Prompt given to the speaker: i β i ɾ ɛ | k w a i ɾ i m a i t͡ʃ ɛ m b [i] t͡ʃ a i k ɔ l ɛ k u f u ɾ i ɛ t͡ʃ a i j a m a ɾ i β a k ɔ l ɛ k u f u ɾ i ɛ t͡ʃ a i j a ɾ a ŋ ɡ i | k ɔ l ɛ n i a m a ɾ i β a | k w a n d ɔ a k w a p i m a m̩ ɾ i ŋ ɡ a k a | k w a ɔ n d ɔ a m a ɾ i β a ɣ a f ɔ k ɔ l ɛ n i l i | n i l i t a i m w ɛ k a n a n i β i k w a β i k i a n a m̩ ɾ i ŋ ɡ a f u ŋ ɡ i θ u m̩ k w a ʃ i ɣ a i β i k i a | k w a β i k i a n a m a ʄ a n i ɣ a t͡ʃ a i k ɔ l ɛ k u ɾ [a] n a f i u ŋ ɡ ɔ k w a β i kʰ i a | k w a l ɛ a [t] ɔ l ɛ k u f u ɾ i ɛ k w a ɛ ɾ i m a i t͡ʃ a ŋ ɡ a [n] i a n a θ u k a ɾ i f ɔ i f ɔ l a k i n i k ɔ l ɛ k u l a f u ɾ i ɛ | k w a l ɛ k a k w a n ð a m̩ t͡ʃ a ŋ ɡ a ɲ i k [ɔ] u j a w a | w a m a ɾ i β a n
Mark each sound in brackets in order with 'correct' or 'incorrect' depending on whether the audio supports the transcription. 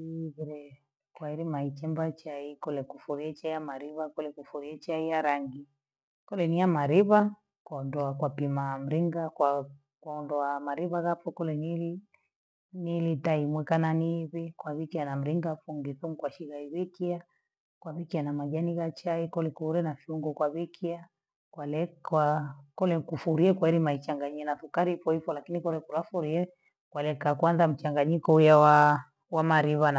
incorrect, incorrect, incorrect, incorrect, correct

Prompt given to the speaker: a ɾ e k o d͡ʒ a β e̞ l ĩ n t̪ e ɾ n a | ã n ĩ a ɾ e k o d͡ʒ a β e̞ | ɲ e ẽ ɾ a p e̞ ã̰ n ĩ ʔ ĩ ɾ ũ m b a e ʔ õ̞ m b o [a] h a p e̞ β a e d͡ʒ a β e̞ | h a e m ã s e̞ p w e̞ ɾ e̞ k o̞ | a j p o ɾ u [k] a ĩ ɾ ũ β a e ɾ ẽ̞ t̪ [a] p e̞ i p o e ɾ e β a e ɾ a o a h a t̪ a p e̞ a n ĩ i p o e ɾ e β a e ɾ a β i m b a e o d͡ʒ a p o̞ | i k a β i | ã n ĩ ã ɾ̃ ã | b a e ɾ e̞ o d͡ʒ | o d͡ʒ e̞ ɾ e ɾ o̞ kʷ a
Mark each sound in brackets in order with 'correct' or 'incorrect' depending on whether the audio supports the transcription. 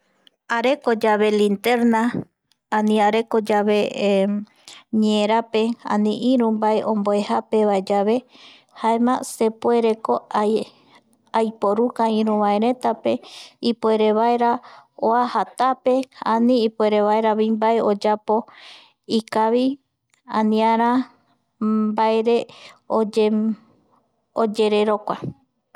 incorrect, correct, correct

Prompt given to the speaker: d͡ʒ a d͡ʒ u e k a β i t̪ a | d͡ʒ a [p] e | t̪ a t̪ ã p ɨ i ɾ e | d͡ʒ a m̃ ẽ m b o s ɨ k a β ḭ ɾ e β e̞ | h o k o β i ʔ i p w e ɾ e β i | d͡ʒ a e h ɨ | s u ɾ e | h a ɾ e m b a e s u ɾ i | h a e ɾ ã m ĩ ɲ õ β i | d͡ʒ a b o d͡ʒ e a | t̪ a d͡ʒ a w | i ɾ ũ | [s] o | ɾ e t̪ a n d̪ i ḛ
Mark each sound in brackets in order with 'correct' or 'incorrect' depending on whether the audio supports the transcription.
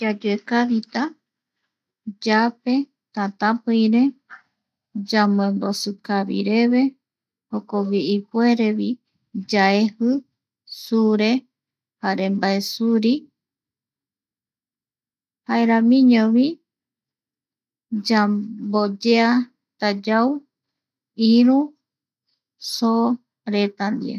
correct, correct

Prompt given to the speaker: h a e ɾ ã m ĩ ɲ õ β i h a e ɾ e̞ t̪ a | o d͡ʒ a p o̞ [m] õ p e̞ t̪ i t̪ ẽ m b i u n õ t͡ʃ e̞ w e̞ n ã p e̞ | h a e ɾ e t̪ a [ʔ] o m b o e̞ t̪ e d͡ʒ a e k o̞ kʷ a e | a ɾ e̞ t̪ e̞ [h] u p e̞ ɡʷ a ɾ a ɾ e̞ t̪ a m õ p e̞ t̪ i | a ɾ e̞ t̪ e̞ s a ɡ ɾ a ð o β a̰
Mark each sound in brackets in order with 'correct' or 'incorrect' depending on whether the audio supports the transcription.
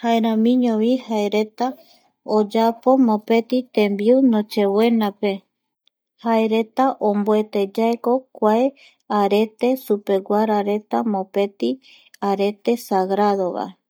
correct, correct, incorrect

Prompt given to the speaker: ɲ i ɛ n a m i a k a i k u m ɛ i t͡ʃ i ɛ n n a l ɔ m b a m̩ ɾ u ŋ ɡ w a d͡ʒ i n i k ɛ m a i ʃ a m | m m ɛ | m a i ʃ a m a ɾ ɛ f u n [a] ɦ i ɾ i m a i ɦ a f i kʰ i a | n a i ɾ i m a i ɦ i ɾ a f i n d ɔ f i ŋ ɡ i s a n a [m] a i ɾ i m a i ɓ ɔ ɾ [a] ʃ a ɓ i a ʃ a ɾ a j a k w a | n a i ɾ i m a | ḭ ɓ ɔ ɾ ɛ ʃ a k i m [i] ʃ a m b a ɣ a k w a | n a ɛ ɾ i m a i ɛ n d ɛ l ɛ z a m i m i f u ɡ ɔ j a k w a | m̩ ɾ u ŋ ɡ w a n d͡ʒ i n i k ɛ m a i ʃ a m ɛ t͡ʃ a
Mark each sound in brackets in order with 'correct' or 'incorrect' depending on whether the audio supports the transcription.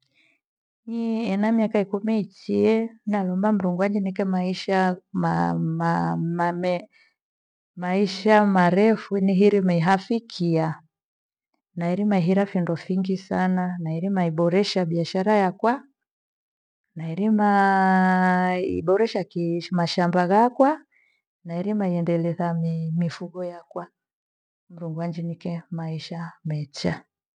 incorrect, incorrect, incorrect, incorrect

